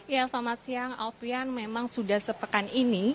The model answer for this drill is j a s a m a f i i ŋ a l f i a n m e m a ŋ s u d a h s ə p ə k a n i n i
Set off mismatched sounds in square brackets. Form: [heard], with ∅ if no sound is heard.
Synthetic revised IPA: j a s a m a [s] i [a] ŋ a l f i a n m e m a ŋ s u d a h s ə p ə k a n i n i